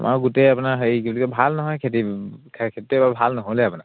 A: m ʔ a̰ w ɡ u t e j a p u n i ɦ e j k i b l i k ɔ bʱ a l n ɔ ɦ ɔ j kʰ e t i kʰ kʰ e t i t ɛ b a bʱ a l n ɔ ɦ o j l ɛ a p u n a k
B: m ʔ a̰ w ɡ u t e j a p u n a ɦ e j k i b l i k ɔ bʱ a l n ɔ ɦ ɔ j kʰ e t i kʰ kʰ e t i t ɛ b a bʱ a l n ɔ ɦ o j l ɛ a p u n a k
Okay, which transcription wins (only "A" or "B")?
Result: B